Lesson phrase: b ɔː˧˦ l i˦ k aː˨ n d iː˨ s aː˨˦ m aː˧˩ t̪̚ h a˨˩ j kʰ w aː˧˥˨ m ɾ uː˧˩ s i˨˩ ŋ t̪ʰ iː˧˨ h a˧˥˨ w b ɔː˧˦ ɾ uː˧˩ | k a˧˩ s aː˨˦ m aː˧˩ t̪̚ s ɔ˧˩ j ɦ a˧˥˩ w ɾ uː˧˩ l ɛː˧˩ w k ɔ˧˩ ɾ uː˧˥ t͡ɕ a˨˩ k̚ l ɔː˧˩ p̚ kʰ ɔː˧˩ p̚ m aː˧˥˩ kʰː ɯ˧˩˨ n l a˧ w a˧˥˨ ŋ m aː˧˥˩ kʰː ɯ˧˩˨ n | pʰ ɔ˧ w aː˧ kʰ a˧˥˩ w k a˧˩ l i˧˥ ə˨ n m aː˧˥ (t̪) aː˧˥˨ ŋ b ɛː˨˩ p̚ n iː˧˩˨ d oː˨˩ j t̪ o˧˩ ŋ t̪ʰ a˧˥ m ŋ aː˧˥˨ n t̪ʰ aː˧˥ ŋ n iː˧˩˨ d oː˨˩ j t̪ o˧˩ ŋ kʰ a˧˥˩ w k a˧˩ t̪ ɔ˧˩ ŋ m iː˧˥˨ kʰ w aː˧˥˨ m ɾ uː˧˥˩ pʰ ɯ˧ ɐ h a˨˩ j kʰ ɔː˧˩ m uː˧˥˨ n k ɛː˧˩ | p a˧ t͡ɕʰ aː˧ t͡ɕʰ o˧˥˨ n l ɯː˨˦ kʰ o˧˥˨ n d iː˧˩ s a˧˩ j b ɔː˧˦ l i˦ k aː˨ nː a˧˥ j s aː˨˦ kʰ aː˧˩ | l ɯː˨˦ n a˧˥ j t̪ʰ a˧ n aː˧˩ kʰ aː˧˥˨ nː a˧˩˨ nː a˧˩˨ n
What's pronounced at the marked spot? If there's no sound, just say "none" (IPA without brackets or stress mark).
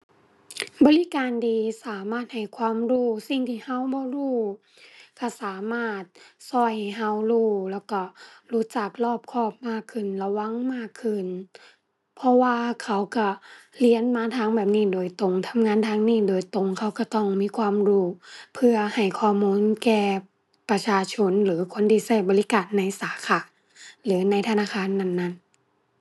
t̪ʰ